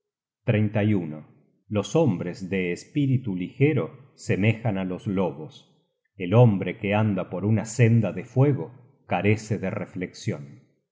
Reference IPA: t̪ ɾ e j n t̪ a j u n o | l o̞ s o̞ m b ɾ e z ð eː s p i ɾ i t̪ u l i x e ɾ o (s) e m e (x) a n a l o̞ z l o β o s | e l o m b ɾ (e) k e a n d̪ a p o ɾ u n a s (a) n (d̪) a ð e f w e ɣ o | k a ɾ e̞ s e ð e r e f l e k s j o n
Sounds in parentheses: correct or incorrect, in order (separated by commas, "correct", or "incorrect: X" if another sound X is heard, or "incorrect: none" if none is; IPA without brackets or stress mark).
correct, correct, correct, incorrect: e, correct